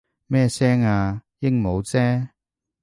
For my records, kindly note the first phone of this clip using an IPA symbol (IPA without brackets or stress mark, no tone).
m